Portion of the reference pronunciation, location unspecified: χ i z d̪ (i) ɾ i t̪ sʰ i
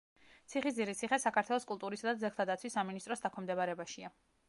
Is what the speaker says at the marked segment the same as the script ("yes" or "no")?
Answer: yes